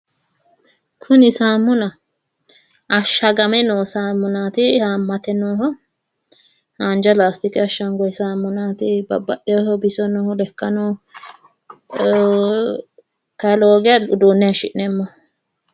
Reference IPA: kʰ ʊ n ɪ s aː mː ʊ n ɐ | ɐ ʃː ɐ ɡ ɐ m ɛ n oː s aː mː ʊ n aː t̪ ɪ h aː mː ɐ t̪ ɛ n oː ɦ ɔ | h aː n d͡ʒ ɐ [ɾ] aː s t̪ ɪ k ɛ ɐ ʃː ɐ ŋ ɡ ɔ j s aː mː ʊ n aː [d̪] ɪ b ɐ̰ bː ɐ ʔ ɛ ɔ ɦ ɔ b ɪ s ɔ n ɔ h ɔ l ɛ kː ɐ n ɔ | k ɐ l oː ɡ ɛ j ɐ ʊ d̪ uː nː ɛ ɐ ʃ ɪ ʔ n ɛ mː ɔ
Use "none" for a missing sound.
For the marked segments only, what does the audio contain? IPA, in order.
l, t̪

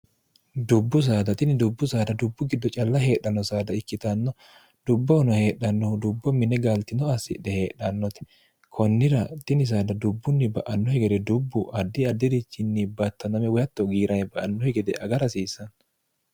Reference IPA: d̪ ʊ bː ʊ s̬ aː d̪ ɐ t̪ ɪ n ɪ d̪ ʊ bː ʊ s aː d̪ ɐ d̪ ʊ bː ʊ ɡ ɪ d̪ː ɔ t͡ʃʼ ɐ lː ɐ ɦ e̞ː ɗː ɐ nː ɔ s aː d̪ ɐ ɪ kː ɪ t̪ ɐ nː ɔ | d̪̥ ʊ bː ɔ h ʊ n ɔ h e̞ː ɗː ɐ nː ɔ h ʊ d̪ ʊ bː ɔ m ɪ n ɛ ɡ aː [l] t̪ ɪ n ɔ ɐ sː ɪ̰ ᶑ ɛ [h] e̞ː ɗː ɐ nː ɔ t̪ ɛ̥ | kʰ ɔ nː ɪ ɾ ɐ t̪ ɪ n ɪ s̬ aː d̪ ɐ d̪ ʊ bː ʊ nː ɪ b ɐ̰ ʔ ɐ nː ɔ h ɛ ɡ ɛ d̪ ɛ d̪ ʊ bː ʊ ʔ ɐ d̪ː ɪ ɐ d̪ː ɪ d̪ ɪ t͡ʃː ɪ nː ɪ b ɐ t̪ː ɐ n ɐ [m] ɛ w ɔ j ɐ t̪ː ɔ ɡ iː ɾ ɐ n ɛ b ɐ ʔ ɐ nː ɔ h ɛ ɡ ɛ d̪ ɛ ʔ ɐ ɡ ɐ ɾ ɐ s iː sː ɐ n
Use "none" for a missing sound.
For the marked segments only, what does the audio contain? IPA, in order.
l, h, m

